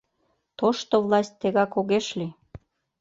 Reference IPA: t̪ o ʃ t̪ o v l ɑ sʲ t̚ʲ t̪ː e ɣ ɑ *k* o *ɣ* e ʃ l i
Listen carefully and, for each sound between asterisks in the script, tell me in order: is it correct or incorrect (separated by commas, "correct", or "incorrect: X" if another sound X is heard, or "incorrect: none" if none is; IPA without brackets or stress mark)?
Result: correct, correct